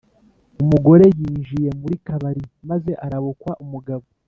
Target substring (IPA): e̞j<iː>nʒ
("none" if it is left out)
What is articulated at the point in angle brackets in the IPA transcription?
iː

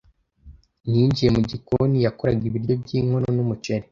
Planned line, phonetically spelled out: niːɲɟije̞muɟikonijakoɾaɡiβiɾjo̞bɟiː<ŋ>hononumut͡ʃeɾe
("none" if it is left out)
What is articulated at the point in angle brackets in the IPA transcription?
ŋ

